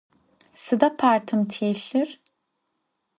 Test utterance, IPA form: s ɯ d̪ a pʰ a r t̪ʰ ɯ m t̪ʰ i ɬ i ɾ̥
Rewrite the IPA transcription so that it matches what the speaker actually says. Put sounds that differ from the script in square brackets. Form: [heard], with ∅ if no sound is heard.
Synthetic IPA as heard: s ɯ d̪ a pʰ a [ɾ] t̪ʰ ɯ m t̪ʰ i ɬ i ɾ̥